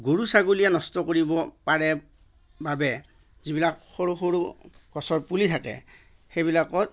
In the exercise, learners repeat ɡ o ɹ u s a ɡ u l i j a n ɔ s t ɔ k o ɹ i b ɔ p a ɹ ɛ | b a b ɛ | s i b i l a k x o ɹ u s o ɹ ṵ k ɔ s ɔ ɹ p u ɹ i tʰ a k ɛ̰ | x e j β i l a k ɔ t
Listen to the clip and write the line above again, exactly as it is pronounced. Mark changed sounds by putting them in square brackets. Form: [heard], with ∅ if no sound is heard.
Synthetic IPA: ɡ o ɹ u s a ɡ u l i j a n ɔ s t ɔ k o ɹ i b ɔ p a ɹ ɛ | b a b ɛ | [z] i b i l a k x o ɹ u [x] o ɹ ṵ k ɔ s ɔ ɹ p u [l] i tʰ a k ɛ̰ | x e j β i l a k ɔ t